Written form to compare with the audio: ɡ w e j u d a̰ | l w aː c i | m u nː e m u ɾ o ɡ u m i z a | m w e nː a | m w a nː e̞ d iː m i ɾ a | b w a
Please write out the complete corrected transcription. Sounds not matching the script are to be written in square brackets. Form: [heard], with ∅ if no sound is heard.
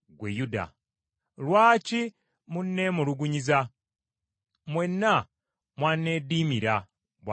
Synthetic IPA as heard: ɡ w e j u d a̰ | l w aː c i | m u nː e m u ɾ [u] ɡ u [ɲ] i z a | m w e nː a | m w a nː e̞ d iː m i ɾ a | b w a

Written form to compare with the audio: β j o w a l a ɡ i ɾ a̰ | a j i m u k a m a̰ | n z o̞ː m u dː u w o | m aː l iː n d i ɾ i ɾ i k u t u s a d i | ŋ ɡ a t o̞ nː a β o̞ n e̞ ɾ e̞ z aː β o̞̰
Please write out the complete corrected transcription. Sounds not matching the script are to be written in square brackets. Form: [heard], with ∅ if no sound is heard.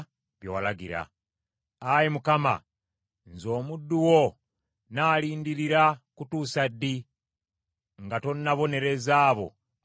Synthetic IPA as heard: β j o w a l a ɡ i ɾ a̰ | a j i m u k a m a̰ | n z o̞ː m u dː u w o | [n] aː l iː n d i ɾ i ɾ [a] k u t u s a d i | ŋ ɡ a t o̞ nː a β o̞ n e̞ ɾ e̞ z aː β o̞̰

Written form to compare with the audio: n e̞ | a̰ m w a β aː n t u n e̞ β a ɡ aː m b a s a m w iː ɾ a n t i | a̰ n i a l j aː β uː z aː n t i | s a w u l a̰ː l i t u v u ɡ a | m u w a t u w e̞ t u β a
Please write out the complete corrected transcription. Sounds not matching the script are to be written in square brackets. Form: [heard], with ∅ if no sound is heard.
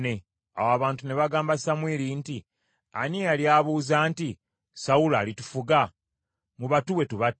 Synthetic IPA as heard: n e̞ | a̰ [∅] w a β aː n t u n e̞ β a ɡ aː m b a s a m w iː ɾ [i] n t i | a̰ n i a l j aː β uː z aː n t i | s a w u l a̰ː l i t u [f] u ɡ a | m u [β] a t u w e̞ t u β a

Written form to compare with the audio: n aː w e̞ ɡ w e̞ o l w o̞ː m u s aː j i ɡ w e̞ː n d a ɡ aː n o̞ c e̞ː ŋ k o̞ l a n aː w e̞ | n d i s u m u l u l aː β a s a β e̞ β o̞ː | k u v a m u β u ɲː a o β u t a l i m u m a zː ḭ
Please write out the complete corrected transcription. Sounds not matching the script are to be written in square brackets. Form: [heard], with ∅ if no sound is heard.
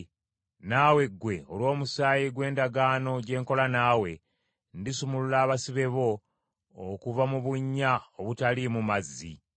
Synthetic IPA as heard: n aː w e̞ ɡ w e̞ o l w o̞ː m u s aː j i ɡ w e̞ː n d a ɡ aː n o̞ [ɟ] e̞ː ŋ k o̞ l a n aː w e̞ | n d i s u m u l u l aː β a s [i] β e̞ β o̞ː | k u v a m u β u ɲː a o β u t a l i m u m a zː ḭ

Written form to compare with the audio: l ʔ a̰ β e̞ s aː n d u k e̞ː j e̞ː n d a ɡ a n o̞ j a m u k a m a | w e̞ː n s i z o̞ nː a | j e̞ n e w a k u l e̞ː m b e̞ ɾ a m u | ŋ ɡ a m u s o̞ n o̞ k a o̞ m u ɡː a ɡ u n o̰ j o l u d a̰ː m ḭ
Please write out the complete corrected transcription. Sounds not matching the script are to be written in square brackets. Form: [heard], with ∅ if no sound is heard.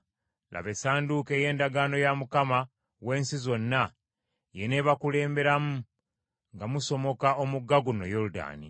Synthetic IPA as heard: l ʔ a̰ β e̞ s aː n d u k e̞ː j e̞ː n d a ɡ a n o̞ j a m u k a m a | w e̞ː n s i z o̞ nː a | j e̞ n e [β] a k u l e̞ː m b e̞ ɾ a m u | ŋ ɡ a m u s o̞ [m] o̞ k a o̞ m u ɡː a ɡ u n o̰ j o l u d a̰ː [n] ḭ

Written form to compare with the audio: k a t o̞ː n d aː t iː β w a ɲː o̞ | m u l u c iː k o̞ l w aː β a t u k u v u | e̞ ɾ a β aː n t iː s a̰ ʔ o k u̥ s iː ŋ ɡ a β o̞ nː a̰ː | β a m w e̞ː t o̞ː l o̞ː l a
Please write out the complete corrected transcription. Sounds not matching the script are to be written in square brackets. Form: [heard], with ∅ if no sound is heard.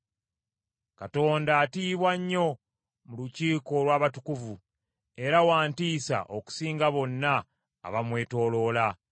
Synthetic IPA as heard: k a t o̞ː n d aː t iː β w a ɲː o̞ | m u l u c iː k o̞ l w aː β a t u k u v u | e̞ ɾ a [w] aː n t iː s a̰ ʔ o k u̥ s iː ŋ ɡ a β o̞ nː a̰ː | β a m w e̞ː t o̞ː l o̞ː l a

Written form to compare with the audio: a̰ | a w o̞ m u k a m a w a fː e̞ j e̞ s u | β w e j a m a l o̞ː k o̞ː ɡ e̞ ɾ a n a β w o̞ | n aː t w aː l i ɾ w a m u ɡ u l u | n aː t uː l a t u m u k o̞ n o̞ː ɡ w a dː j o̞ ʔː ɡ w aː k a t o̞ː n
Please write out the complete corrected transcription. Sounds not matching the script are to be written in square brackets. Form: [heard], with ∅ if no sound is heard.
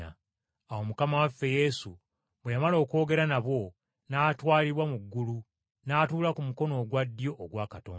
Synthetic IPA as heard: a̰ | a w o̞ m u k a m a w a fː e̞ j e̞ s u | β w e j a m a l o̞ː k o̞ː ɡ e̞ ɾ a n a β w o̞ | n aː t w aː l i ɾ w a m u [ɡː] u l u | n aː t uː l a [k] u m u k o̞ n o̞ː ɡ w a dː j o̞ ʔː ɡ w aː k a t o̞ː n

